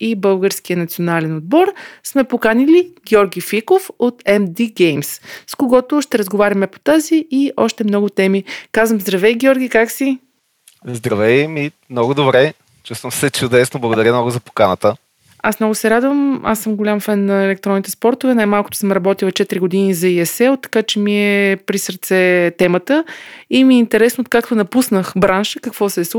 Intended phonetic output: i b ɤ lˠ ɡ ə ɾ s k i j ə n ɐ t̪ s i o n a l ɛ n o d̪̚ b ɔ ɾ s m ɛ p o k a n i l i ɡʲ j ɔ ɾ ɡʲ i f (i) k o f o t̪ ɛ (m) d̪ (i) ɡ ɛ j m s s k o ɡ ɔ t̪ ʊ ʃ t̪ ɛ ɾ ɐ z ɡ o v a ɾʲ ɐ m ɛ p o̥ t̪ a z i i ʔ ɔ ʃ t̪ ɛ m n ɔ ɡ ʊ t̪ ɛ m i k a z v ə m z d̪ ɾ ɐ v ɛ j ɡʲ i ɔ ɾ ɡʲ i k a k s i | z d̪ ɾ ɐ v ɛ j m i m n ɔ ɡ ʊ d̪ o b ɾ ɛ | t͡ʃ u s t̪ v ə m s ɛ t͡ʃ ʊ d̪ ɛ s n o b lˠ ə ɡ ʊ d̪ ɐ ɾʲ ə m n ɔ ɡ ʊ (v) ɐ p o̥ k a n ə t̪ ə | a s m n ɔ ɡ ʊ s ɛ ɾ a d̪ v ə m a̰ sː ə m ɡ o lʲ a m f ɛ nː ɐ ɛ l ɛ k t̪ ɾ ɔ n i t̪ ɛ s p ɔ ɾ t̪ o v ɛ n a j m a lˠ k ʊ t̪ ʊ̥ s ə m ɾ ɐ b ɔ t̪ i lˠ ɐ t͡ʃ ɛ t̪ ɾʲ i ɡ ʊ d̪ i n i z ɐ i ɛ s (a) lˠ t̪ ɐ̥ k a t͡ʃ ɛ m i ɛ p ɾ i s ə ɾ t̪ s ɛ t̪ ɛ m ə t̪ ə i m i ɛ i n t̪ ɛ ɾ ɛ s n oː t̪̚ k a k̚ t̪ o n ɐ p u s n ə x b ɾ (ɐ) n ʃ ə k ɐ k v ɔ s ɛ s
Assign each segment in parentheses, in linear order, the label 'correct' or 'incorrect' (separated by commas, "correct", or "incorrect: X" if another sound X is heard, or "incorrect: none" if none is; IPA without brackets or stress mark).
correct, correct, correct, incorrect: z, incorrect: ɛ, incorrect: a